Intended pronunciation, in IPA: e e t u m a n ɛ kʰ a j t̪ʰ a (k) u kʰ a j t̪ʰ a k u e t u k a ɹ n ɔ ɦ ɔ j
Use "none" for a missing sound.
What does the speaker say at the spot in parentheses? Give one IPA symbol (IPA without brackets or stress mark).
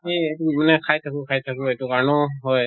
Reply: k